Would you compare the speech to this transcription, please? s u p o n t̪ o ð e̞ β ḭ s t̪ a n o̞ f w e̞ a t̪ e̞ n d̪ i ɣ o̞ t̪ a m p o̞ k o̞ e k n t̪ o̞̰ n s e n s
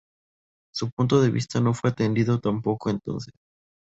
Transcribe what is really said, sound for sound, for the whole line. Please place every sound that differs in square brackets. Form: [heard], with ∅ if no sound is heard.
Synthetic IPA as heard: s u p [u] n t̪ o ð e̞ β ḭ s t̪ a n o̞ f w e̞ a t̪ e̞ n d̪ i [ð] o̞ t̪ a m p o̞ k o̞ e [∅] n t̪ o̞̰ n s e [∅] s